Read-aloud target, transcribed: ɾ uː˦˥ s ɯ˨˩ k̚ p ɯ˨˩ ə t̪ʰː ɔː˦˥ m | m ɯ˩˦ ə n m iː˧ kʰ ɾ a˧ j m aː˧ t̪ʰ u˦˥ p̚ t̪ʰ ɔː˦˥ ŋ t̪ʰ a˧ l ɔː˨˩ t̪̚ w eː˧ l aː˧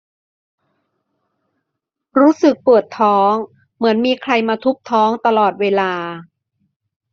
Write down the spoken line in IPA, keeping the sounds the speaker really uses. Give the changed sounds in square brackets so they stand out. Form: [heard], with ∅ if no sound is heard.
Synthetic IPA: ɾ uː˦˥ s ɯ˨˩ k̚ p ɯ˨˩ ə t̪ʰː ɔː˦˥ [ŋ] | m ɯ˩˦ ə n m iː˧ kʰ ɾ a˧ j m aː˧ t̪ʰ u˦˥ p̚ t̪ʰ ɔː˦˥ ŋ [t̪] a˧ l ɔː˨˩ t̪̚ w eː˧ l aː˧